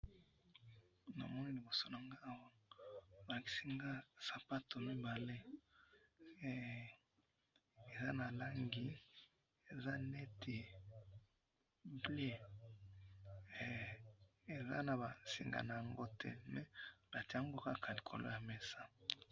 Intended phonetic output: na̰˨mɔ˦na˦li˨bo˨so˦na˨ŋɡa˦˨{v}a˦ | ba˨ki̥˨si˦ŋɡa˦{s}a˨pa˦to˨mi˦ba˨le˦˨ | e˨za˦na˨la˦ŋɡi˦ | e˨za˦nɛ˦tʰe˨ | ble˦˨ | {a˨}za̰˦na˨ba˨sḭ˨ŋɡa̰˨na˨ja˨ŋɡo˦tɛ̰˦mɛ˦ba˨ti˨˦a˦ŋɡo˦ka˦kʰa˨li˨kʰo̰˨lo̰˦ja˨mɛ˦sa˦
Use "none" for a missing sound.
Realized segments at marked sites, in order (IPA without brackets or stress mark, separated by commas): w, s, e˨